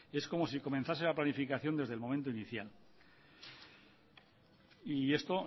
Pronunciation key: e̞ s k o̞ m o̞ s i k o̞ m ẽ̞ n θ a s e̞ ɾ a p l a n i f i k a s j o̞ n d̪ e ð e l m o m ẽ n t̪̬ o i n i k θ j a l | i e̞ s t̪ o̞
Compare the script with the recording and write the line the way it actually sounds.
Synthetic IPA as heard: e̞ s k o̞ m o̞ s i k o̞ m ẽ̞ n θ a s e̞ l a p l a n i f i k a θ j o̞ n d̪ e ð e l m o m ẽ n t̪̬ o i n i θ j a l | i e̞ s t̪ o̞